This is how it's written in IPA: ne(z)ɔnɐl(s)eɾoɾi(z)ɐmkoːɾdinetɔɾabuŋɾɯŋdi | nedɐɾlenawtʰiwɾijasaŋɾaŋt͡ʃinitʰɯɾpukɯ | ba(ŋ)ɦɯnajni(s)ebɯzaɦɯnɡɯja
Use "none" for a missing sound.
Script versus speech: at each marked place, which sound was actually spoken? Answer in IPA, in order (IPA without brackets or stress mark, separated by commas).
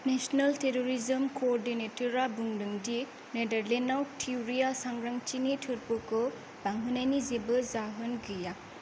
s, t, z, ŋ, z